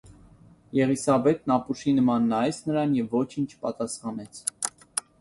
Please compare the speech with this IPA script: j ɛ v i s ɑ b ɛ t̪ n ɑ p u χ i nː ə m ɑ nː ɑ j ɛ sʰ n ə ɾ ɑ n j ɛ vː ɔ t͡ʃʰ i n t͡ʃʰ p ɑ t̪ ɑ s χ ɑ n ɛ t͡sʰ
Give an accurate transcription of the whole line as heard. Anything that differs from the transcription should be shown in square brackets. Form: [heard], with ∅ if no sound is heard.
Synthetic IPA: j ɛ [ʁ] i s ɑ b ɛ t̪ n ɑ p u [ʃ] i [n] ə m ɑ nː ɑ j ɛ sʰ n ə ɾ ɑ n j ɛ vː ɔ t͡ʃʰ i n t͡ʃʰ p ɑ t̪ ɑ s χ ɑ n ɛ t͡sʰ